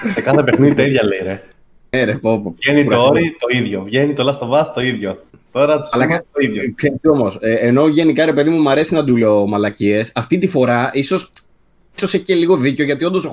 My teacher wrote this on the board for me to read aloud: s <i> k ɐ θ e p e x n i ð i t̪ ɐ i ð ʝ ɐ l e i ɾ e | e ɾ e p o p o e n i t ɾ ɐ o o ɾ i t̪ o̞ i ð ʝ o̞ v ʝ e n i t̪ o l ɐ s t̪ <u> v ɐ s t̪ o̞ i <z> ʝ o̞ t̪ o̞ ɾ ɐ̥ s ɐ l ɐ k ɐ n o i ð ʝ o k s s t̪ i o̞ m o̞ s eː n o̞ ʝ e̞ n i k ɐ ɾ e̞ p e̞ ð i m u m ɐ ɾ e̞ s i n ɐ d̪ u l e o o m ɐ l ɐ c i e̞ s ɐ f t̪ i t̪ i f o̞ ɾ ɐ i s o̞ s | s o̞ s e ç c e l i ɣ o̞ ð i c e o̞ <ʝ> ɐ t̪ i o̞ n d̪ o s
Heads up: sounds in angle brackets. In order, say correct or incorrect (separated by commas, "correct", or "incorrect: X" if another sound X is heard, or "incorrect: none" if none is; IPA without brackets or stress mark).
incorrect: e, incorrect: o, incorrect: ð, correct